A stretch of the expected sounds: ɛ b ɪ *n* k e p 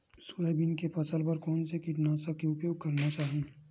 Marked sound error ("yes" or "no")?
no